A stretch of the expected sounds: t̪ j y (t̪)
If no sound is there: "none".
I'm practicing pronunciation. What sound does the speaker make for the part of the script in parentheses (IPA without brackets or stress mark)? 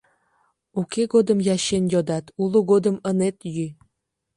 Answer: none